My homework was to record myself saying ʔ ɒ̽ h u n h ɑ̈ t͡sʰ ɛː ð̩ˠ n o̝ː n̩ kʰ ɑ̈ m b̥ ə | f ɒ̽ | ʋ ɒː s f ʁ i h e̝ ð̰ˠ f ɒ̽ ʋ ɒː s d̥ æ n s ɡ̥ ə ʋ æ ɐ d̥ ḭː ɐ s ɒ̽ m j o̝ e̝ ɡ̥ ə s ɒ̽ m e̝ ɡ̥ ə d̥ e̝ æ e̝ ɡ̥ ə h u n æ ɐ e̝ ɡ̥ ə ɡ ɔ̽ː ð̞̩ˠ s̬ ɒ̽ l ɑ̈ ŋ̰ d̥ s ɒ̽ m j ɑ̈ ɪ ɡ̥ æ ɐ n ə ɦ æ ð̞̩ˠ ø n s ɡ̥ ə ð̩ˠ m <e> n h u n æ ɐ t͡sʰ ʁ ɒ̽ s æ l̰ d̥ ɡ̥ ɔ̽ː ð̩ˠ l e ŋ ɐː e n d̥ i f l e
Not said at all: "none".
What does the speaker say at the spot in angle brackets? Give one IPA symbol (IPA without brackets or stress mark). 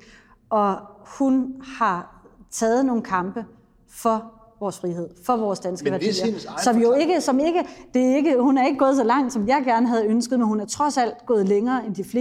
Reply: e